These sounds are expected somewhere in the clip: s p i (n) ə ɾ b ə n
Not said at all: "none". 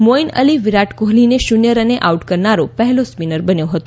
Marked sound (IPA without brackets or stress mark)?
n